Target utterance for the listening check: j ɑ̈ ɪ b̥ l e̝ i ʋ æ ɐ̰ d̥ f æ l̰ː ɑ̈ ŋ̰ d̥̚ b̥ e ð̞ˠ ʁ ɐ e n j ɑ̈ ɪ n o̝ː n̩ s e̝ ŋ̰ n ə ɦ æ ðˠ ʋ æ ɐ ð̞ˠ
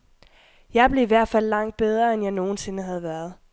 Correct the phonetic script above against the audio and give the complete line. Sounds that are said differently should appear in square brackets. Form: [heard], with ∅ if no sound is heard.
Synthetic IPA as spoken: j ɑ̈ ɪ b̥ l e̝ i ʋ æ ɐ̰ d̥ f æ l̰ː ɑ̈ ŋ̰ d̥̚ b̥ e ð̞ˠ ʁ ɐ e n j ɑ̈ ɪ n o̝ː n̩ s e̝ [∅] n ə ɦ æ ðˠ ʋ æ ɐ ð̞ˠ